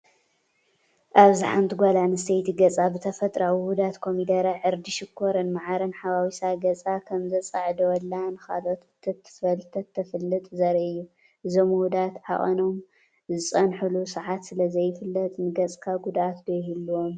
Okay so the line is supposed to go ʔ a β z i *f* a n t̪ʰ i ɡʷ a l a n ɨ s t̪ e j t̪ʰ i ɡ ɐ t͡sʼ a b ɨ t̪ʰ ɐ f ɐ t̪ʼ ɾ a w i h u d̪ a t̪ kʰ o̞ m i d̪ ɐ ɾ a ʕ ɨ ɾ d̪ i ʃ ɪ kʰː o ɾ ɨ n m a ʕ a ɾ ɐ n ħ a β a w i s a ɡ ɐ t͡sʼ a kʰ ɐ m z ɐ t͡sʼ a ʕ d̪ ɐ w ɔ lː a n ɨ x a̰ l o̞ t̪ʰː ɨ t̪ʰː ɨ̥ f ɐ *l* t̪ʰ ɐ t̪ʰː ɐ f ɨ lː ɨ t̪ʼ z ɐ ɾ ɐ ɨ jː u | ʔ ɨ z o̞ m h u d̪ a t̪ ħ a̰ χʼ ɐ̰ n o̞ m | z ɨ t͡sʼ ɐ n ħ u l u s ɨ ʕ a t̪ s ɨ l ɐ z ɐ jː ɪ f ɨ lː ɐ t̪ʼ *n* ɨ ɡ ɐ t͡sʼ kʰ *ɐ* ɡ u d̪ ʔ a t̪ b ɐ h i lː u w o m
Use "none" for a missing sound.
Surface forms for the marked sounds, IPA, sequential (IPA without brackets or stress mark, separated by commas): ħ, l, n, a